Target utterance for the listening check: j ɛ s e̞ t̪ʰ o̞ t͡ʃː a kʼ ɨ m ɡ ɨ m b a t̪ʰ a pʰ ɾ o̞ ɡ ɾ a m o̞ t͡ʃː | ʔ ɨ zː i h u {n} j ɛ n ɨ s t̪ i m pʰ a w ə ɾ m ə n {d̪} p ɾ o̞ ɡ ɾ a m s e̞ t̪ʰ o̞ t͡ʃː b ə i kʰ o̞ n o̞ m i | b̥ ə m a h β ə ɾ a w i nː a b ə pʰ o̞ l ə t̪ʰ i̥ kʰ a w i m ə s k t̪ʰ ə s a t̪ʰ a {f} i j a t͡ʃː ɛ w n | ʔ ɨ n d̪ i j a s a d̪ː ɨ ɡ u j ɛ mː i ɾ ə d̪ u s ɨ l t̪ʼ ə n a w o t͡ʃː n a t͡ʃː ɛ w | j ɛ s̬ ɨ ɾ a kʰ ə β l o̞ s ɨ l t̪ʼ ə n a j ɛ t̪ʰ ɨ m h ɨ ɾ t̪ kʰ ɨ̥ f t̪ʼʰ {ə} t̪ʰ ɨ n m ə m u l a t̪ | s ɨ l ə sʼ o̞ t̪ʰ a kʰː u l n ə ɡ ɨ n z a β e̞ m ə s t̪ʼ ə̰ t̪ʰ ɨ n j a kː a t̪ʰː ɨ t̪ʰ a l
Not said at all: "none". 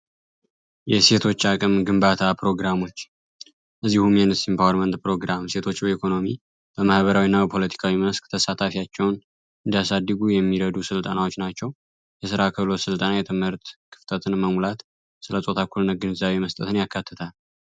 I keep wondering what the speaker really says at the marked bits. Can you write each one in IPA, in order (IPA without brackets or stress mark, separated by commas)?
m, t̪, f, ə